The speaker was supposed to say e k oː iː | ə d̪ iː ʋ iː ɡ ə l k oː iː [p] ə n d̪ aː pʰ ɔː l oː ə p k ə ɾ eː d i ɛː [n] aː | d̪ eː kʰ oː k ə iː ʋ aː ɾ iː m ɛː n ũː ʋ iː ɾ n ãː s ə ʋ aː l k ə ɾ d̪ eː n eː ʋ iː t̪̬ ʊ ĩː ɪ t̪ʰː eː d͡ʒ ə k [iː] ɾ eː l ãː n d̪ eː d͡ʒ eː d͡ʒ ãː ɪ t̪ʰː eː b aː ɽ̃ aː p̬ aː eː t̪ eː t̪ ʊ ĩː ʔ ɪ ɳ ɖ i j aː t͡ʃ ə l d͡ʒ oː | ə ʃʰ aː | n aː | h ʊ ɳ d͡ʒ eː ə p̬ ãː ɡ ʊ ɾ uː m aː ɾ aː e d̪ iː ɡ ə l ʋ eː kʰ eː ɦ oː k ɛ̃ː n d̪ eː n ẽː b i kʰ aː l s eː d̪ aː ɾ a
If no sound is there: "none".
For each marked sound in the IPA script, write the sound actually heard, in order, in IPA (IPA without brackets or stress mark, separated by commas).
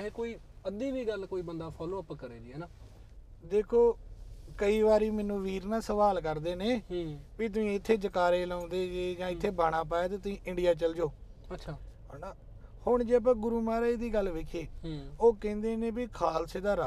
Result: b, n, aː